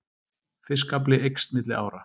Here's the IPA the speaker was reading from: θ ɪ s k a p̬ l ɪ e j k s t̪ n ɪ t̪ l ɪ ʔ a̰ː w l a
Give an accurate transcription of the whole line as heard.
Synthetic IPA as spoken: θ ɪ s k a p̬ l ɪ e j k s t̪ m ɪ t̪ l ɪ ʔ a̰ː w ɾ a

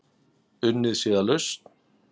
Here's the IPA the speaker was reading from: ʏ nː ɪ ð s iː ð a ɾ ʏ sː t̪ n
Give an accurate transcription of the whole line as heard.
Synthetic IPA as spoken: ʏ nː ɪ ð s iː ð a l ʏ s t̪ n

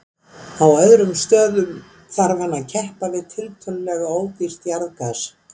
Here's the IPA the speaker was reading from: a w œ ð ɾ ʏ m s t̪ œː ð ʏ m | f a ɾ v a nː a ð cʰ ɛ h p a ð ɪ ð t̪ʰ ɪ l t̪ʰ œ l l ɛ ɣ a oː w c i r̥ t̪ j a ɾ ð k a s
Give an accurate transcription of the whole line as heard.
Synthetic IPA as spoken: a w œ ð ɾ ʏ m s t̪ œː ð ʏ m | θ a ɾ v a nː a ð cʰ ɛ h p a v ɪ ð t̪ʰ ɪ l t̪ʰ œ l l ɛ ɣ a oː w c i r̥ t̪ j a ɾ ð k a s

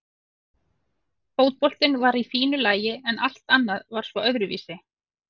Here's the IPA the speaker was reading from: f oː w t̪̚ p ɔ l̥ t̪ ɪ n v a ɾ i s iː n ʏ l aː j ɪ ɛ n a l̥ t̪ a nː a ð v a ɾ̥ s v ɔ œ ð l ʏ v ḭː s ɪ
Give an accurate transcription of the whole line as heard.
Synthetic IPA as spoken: f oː w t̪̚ p ɔ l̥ t̪ ɪ n v a ɾ i f iː n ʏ l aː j ɪ ɛ n a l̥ t̪ a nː a ð v a ɾ̥ s v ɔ œ ð ɾ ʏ v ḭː s ɪ

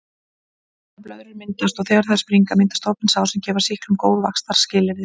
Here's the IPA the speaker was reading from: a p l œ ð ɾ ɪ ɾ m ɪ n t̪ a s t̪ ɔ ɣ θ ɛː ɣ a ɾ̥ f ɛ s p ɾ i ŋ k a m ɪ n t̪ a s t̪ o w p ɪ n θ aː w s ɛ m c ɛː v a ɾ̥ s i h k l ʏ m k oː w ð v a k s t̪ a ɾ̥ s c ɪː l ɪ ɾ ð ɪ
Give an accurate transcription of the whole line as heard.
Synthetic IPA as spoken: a p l œ ð ɾ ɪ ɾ m ɪ n t̪ a s t̪ ɔ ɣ θ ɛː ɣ a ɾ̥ θ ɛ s p ɾ i ŋ k a m ɪ n t̪ a s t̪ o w p ɪ n s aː w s ɛ m c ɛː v a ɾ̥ s i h k l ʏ m k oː w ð v a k s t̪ a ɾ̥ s c ɪː l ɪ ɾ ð ɪ

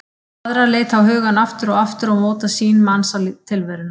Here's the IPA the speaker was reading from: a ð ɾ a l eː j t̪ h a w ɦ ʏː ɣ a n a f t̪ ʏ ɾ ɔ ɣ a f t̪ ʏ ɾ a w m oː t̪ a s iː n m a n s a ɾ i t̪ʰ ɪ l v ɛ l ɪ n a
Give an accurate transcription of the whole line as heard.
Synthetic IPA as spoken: a ð ɾ a l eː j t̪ h a w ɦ ʏː ɣ a n a f t̪ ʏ ɾ ɔ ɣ a f t̪ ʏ ɾ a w m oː t̪ a s iː n m a n s a l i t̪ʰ ɪ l v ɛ ɾ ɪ n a

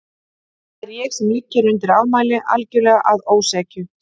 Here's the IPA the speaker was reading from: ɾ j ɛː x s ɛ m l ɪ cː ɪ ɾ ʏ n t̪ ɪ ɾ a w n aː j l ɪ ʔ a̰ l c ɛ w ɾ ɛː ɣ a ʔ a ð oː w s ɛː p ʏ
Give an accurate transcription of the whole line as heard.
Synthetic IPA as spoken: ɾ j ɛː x s ɛ m l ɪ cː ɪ ɾ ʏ n t̪ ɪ ɾ a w m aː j l ɪ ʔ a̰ l c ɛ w l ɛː ɣ a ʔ a ð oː w s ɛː c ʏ

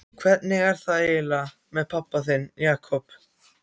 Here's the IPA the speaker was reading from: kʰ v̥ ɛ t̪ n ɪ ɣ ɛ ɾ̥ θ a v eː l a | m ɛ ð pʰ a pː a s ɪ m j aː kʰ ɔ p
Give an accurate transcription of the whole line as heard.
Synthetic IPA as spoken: kʰ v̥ ɛ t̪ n ɪ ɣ ɛ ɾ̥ θ a ð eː l a | m ɛ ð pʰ a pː a θ ɪ n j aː kʰ ɔ p

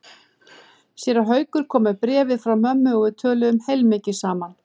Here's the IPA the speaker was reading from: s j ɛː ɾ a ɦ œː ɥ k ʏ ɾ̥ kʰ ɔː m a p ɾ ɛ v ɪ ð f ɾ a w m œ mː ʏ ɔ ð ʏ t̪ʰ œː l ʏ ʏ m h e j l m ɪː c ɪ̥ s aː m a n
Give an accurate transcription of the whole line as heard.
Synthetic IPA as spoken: s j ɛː ɾ a ɦ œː ɥ k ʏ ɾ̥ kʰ ɔː m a p ɾ ɛː v ɪ ð f ɾ a w m œ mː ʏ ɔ ɣ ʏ t̪ʰ œː l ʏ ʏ m h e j l m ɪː c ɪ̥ s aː m a n

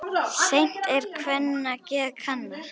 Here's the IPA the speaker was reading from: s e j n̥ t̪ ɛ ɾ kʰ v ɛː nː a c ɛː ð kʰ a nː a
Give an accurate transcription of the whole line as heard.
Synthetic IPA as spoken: s e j n̥ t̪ ɛ ɾ kʰ v ɛ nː a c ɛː ð kʰ a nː a

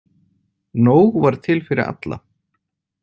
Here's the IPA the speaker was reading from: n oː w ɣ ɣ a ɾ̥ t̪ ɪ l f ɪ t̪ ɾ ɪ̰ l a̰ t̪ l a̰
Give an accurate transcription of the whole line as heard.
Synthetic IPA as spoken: n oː w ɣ v a ɾ̥ t̪ʰ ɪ l f ɪ ɾ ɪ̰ ɾ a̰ t̪ l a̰

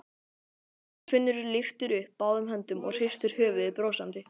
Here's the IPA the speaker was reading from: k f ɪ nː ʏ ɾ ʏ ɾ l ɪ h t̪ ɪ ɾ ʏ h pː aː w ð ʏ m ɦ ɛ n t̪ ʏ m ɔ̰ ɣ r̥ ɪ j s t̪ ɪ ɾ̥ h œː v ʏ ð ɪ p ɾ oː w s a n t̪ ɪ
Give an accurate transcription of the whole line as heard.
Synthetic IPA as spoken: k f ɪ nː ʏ ɾ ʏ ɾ l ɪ f t̪ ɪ ɾ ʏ h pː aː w ð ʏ m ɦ ɛ n t̪ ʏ m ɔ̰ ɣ r̥ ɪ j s t̪ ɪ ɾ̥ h œː v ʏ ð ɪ p ɾ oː w s a n t̪ ɪ

